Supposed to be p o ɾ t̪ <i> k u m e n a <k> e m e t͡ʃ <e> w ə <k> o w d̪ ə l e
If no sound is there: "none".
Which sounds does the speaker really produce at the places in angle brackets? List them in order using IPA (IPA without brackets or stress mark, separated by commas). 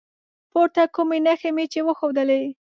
a, x, e, x